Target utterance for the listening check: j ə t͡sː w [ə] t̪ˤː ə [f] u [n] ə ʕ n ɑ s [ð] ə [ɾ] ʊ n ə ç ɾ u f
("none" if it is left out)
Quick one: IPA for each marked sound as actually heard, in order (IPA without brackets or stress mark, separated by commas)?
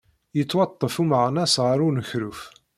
ɑ, f, m, ʁ, ɾ